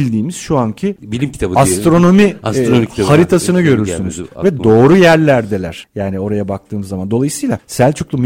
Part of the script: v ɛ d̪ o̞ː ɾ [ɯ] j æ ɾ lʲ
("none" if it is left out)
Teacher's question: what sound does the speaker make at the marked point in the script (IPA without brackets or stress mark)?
u